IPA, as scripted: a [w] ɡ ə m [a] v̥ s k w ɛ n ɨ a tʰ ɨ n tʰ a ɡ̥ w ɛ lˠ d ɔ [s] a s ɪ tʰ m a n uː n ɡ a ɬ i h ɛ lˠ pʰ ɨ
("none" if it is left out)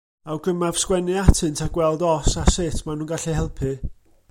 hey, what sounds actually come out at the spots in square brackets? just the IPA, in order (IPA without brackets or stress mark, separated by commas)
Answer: w, a, s